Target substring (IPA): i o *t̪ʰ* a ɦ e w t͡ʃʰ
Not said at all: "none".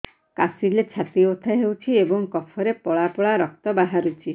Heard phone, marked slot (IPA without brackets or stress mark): t̪ʰ